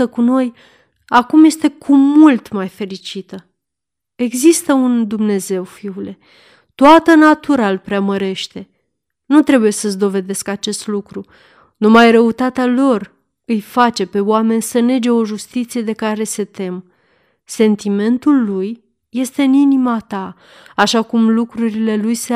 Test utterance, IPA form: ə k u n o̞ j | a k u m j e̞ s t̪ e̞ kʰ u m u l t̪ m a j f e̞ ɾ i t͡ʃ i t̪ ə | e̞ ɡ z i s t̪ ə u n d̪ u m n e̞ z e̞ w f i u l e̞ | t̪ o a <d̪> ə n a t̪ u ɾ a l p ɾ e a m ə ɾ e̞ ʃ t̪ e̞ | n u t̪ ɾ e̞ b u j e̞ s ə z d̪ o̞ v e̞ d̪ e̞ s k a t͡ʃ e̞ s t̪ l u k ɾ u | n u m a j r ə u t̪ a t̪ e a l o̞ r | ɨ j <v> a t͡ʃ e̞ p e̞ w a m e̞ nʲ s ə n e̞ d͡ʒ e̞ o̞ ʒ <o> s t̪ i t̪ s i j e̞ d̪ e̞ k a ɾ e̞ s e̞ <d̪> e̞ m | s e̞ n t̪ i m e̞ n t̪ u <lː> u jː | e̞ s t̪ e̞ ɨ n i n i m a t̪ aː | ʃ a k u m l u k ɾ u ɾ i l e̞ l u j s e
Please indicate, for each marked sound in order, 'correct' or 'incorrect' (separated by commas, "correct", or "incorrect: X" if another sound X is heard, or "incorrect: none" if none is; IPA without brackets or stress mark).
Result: incorrect: t̪, incorrect: f, incorrect: u, incorrect: t̪, correct